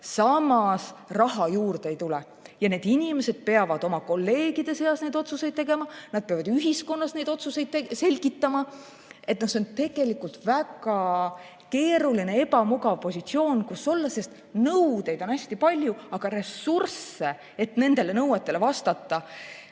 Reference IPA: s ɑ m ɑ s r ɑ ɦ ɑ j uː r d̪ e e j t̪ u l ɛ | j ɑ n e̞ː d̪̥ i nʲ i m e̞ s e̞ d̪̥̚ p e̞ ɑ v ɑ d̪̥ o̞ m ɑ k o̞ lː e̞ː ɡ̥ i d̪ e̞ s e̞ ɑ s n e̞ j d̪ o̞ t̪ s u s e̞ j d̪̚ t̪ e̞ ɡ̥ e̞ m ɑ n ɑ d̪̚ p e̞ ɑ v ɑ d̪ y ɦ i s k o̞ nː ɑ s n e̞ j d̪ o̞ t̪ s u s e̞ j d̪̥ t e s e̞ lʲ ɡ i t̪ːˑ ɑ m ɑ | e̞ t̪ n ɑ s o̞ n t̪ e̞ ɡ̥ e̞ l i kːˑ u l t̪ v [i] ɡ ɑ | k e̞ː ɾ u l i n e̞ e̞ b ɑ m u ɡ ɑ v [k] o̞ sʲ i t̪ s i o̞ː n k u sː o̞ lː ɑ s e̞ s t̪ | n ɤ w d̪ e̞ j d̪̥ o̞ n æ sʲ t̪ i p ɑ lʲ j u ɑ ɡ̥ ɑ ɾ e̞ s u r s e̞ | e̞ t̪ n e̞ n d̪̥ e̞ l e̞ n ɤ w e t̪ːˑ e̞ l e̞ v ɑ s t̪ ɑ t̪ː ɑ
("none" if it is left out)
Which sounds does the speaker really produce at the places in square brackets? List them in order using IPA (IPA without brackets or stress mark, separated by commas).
æ, p